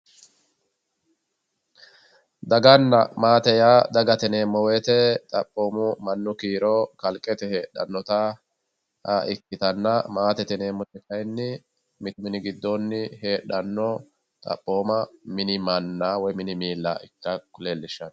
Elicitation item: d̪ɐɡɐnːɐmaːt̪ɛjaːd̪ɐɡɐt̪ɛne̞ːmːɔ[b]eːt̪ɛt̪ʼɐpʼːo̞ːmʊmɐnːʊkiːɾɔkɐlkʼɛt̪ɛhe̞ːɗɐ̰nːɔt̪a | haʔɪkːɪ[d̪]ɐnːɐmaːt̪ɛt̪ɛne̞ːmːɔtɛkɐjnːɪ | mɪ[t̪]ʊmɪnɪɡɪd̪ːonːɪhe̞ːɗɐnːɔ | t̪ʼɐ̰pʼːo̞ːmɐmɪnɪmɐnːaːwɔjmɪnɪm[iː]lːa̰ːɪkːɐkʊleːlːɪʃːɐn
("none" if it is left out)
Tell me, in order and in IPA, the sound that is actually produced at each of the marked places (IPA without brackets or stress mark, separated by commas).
w, t̪, t̪, iː